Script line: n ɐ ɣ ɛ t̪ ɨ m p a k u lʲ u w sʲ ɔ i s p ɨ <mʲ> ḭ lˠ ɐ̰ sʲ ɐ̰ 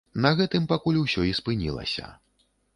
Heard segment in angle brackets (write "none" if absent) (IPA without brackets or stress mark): nʲ